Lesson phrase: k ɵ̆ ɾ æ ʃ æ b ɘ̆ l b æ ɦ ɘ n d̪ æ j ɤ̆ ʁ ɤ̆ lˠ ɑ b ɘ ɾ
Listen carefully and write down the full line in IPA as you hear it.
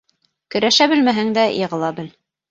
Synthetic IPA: k ɵ̆ ɾ æ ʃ æ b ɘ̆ l m æ ɦ ɘ ŋ d̪ æ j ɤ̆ ʁ ɤ̆ lˠ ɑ b ɘ l